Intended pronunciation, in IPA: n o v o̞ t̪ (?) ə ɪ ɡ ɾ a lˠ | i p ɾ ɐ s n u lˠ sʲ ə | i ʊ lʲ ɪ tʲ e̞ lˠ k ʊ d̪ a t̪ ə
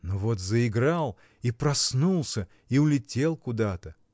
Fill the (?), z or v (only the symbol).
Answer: z